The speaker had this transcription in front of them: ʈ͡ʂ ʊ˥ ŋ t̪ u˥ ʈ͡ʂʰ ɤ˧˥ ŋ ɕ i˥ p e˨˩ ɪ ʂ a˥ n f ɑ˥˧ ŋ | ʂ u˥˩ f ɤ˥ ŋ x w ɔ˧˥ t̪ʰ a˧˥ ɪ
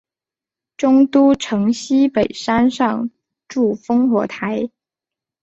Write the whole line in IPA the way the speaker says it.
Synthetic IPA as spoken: ʈ͡ʂ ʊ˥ ŋ t̪ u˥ ʈ͡ʂʰ ɤ˧˥ ŋ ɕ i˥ p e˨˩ ɪ ʂ a˥ n ʂ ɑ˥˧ ŋ | ʈ͡ʂ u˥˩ f ɤ˥ ŋ x w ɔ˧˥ t̪ʰ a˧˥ ɪ